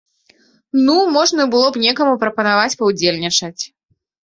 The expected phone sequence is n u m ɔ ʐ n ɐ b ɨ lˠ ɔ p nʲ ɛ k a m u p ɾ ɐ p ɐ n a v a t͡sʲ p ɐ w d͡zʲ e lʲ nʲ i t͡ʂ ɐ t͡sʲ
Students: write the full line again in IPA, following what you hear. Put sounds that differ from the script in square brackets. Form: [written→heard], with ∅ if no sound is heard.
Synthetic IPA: n u m ɔ ʐ n ɐ b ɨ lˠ ɔ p nʲ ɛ k [a→ɐ] m u p ɾ ɐ p ɐ n a v a t͡sʲ p ɐ w d͡zʲ e lʲ nʲ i t͡ʂ ɐ t͡sʲ